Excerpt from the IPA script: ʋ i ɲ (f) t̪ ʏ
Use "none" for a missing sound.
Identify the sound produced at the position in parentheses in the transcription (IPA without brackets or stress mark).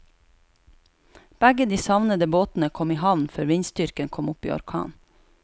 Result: s